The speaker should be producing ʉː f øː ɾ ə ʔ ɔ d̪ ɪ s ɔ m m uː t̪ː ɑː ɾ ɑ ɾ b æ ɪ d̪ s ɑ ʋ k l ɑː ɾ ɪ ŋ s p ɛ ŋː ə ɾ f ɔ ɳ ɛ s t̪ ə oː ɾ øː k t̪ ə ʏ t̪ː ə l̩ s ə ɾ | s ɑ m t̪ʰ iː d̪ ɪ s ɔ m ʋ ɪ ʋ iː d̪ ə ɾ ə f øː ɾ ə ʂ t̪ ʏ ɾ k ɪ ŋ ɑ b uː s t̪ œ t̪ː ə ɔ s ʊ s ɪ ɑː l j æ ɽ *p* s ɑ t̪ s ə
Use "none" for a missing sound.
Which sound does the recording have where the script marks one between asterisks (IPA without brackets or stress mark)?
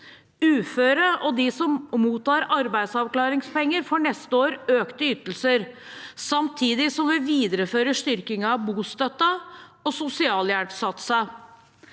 p